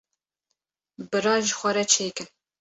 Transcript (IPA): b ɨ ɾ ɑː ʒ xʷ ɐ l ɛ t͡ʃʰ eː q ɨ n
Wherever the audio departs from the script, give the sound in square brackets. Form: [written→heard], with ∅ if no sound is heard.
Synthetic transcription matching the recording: b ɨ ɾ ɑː ʒ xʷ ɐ [l→ɾ] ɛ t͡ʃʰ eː [q→k] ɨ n